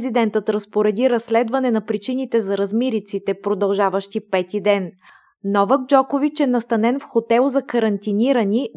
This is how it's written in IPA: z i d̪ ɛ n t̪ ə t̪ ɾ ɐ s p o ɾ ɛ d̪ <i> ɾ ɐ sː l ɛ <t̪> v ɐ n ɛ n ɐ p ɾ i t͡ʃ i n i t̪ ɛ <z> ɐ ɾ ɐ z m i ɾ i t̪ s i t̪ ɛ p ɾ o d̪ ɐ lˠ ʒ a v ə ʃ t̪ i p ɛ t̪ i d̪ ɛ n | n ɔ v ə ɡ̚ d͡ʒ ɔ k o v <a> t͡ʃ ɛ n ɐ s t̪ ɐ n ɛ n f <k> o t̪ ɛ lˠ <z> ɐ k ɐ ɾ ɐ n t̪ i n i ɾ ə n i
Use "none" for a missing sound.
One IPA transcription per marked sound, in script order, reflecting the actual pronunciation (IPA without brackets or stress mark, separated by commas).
i, d̪, z, i, x, z